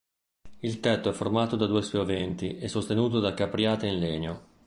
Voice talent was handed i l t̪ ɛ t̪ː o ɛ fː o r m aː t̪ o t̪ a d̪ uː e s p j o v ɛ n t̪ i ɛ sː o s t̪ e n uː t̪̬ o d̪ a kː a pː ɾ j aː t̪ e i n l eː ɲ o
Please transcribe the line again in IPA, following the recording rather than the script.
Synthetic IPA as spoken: i l t̪ ɛ t̪ː o ɛ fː o r m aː t̪ o d̪ a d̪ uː e s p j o v ɛ n t̪ i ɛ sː o s t̪ e n uː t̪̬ o d̪ a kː a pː ɾ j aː t̪ e i n l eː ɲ o